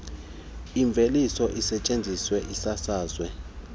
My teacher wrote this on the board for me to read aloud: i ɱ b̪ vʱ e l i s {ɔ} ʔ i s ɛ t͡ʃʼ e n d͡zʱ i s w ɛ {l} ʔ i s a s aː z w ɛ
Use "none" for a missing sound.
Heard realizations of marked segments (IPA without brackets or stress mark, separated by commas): ɔ, none